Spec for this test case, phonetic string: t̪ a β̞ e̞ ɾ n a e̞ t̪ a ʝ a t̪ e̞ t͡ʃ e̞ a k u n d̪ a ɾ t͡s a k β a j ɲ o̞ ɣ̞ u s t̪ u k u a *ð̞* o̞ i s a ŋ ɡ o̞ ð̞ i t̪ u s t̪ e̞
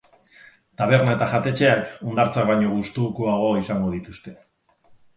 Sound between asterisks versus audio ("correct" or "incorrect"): incorrect